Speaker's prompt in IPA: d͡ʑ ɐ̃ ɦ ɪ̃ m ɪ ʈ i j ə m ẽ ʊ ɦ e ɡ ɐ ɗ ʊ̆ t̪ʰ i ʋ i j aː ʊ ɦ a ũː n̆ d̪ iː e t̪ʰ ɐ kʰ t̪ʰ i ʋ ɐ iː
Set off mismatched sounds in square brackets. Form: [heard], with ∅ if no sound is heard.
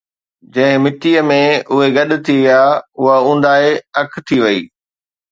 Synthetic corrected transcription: d͡ʑ ɐ̃ ɦ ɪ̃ m ɪ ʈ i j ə m ẽ ʊ ɦ e ɡ ɐ ɗ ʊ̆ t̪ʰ i ʋ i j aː ʊ ɦ a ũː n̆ d̪ [aː] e [∅] ɐ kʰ t̪ʰ i ʋ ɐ iː